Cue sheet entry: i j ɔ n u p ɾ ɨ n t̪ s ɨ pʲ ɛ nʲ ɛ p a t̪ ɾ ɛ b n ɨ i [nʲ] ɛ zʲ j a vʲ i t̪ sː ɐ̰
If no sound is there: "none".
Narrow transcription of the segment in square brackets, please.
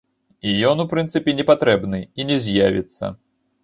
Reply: nʲ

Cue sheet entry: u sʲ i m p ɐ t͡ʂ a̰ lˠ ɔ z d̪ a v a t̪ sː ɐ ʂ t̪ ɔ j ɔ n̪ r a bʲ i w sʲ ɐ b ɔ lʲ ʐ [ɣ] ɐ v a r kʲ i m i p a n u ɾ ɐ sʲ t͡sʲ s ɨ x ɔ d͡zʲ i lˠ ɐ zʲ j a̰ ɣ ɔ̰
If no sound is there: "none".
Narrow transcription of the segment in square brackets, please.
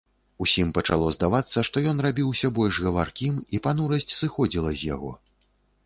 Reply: ɣ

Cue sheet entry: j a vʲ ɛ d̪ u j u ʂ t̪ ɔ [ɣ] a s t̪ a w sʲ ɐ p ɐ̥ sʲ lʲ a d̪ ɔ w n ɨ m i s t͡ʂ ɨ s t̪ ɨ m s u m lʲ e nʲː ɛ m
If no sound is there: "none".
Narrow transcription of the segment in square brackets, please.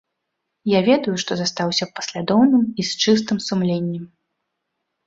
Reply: z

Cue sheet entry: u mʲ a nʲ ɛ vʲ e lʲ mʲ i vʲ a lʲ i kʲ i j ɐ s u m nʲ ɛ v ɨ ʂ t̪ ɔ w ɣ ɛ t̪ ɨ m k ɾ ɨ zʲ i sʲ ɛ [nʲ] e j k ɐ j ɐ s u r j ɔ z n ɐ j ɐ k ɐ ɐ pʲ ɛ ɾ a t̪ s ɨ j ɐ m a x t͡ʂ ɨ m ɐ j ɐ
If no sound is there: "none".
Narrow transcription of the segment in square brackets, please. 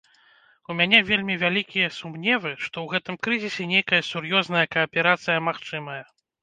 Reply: nʲ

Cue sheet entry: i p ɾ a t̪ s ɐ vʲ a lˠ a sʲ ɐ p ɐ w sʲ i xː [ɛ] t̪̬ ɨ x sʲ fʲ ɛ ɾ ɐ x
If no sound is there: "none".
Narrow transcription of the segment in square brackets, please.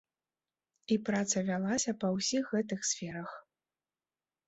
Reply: ɛ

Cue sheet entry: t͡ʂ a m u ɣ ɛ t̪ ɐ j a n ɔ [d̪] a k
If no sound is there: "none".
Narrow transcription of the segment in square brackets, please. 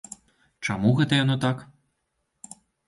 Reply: t̪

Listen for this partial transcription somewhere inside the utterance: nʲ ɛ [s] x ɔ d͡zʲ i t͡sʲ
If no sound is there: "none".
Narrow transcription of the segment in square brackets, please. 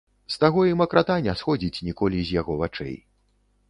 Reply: s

